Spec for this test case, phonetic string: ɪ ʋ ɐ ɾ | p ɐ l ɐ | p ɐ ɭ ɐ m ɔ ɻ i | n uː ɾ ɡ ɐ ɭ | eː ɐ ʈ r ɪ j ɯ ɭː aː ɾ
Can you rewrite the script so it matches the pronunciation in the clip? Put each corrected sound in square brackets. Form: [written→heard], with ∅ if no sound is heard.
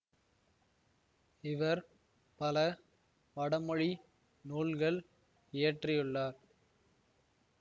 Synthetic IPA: ɪ ʋ ɐ ɾ | p ɐ l ɐ | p ɐ [ɭ→ɽ] ɐ m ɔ ɻ i | n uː [ɾ→l] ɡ ɐ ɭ | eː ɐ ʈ r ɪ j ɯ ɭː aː ɾ